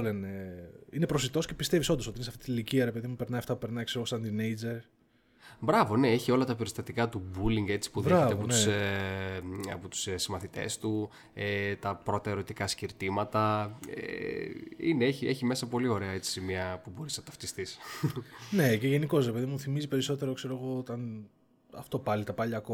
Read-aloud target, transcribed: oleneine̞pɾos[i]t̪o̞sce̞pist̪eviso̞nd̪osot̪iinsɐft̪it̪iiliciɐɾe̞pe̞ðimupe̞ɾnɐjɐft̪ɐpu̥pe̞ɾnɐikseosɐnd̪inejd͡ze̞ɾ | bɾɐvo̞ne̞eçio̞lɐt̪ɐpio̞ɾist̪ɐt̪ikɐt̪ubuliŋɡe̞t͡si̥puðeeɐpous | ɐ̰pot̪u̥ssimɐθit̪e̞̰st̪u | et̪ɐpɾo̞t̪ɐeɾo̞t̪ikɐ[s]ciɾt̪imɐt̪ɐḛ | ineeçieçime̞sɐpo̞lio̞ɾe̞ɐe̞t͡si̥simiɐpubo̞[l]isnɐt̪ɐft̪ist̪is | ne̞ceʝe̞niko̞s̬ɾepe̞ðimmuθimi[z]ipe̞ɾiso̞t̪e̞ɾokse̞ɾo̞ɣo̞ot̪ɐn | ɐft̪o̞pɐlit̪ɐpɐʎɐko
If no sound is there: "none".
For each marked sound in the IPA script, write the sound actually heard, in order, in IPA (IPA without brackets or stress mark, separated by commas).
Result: i, s, ɾ, z